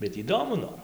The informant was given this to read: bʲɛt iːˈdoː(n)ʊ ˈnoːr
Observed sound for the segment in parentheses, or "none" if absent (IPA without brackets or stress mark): m